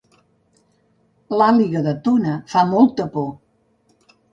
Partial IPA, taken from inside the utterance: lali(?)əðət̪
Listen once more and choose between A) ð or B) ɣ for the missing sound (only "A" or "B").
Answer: B